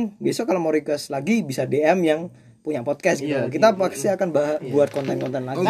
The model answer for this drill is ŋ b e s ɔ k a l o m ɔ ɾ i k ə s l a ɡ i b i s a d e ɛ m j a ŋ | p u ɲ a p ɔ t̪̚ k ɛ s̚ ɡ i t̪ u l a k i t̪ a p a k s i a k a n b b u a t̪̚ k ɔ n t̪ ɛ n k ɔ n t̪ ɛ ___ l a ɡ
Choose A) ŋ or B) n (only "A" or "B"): B